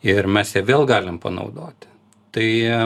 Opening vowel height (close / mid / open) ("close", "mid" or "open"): close